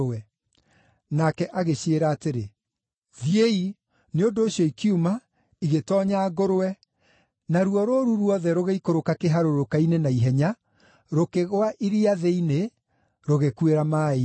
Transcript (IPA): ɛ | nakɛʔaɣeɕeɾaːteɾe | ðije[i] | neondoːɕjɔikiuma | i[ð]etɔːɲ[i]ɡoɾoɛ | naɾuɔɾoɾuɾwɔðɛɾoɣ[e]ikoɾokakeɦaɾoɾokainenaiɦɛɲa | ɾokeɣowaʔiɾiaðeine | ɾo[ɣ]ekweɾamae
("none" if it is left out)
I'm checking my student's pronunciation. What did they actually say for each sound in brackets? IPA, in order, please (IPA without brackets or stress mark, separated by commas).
i, ɣ, a, e, ɣ